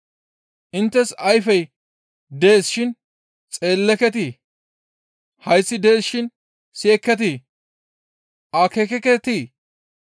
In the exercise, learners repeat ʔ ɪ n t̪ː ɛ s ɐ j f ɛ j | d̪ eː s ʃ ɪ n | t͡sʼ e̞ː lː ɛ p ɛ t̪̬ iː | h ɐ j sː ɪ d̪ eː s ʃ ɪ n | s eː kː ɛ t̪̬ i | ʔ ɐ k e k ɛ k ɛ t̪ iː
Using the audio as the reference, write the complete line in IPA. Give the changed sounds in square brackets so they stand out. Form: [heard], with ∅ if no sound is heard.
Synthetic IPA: ʔ ɪ n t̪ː ɛ s ɐ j f ɛ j | d̪ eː s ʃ ɪ n | t͡sʼ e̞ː lː ɛ [k] ɛ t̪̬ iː | h ɐ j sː ɪ d̪ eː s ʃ ɪ n | s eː kː ɛ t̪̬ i | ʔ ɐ k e k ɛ k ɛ t̪ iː